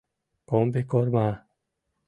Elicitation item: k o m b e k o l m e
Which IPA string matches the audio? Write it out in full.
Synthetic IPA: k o m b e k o ɾ m a

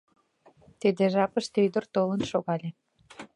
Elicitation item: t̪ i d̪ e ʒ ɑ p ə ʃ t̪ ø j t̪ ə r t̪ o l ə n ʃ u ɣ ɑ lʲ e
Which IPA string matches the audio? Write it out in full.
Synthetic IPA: t̪ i d̪ e ʒ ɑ p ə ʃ t̪ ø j d̪ ə r t̪ o l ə n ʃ o ɣ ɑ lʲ e

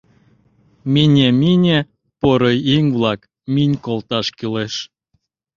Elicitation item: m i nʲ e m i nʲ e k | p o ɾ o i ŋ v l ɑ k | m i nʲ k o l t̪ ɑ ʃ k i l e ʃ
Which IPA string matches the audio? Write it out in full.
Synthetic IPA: m i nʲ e m i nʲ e | p o ɾ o i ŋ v l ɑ k | m i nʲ k o l t̪ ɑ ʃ k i l e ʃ

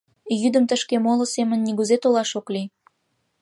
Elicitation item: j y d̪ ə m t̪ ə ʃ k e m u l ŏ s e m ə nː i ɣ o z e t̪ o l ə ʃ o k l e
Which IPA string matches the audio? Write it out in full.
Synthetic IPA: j y d̪ ə m t̪ ə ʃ k e m o l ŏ s e m ə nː i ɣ u z e t̪ o l ɑ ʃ o k l i

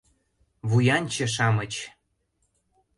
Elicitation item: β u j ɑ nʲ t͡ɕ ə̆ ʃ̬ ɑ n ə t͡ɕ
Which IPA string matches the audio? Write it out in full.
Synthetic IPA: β u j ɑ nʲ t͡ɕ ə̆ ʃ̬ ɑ m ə t͡ɕ

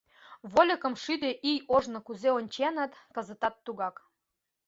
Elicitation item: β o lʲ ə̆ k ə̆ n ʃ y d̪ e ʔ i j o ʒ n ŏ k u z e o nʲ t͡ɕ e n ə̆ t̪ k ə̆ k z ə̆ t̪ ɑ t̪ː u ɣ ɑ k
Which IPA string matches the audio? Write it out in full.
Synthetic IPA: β o lʲ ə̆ k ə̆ m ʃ y d̪ e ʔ i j o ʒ n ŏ k u z e o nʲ t͡ɕ e n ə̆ t̪ k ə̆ z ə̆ t̪ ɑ t̪ː u ɣ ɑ k

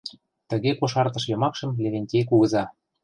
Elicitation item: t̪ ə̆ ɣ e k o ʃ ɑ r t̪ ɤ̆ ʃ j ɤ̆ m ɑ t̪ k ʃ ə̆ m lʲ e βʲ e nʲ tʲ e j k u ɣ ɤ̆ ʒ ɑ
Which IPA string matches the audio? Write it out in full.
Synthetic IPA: t̪ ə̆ ɣ e k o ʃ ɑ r t̪ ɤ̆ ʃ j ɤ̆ m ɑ k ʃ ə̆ m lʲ e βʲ e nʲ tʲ e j k u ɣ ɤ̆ z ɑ

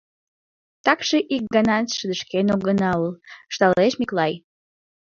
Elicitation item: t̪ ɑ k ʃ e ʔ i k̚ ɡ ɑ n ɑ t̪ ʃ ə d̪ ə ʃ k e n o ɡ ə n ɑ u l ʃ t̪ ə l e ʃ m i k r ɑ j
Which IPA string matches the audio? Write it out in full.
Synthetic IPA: t̪ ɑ k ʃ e ʔ i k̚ ɡ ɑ n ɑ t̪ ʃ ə d̪ ə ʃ k e n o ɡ ə n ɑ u l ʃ t̪ ɑ l e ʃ m i k l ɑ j

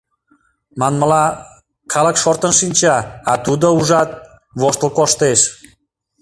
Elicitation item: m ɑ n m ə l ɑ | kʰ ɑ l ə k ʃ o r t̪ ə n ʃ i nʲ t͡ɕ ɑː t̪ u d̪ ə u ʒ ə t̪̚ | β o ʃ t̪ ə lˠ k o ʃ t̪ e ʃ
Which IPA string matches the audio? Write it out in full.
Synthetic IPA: m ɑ n m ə l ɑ | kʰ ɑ l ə k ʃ o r t̪ ə n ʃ i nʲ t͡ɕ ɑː t̪ u d̪ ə u ʒ ɑ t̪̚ | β o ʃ t̪ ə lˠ k o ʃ t̪ e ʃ

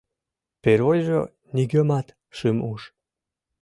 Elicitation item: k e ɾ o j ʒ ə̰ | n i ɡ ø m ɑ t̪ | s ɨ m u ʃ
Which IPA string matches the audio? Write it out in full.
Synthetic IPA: p e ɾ o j ʒ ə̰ | n i ɡ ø m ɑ t̪ | ʃ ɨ m u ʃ

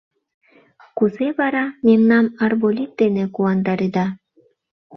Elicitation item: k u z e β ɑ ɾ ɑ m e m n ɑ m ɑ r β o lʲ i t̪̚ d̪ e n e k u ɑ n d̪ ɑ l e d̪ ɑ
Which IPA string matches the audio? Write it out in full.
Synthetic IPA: k u z e β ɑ ɾ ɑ m e m n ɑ m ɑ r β o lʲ i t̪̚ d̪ e n e k u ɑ n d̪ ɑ ɾ e d̪ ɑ

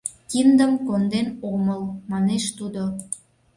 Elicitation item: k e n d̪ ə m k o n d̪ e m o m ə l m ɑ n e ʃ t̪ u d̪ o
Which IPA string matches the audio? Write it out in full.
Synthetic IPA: k i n d̪ ə m k o n d̪ e n o m ə l m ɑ n e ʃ t̪ u d̪ o

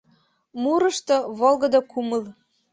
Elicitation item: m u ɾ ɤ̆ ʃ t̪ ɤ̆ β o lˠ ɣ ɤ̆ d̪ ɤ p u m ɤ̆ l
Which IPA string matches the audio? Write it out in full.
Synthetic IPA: m u ɾ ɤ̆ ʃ t̪ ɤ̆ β o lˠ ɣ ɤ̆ d̪ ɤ k u m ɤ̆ l

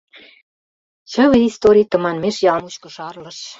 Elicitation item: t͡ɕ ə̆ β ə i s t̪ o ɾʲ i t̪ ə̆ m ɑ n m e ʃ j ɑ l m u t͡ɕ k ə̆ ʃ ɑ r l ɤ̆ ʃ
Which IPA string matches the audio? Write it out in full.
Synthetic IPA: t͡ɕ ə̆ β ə i s t̪ o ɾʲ i t̪ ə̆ m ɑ n m e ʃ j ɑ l m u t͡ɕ k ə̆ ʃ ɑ r l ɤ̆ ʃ

